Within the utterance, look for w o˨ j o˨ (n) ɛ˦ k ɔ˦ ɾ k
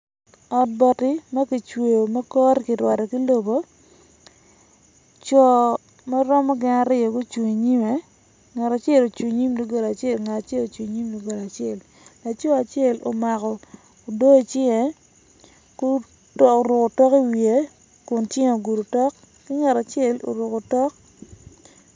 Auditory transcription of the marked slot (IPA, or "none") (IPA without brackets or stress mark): m